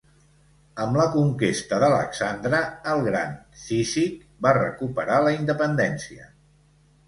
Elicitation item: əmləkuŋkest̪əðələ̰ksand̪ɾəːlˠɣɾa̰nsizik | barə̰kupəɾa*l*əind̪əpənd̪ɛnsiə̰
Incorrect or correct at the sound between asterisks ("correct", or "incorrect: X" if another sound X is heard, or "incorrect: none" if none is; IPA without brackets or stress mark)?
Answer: correct